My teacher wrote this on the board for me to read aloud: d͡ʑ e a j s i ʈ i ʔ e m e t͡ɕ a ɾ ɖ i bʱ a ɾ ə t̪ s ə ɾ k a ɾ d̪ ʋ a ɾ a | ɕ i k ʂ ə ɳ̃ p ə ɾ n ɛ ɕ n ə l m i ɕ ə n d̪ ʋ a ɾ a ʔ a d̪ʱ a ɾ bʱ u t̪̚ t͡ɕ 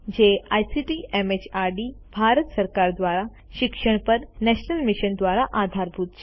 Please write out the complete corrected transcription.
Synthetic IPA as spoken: d͡ʑ e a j s i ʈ i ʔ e m e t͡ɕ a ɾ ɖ i bʱ a ɾ ə t̪ s ə ɾ k a ɾ d̪ ʋ a ɾ a | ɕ i k ʂ ə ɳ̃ p ə ɾ n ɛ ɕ n ə l m i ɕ ə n d̪ ʋ a ɾ a ʔ a d̪ʱ a ɾ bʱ u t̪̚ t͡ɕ